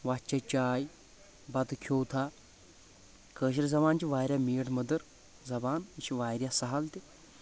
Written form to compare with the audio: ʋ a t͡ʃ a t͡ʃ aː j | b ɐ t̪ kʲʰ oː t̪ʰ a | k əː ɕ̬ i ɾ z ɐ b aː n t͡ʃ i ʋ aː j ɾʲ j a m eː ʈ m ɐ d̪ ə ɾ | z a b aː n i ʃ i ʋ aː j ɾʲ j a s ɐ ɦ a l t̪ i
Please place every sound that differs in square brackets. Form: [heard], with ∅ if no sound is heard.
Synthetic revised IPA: ʋ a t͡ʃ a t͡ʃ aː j | b ɐ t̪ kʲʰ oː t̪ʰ a | k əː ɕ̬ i ɾ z ɐ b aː n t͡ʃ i ʋ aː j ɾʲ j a m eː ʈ m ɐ d̪ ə ɾ | z [ɐ] b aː n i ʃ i ʋ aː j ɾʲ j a s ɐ ɦ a l t̪ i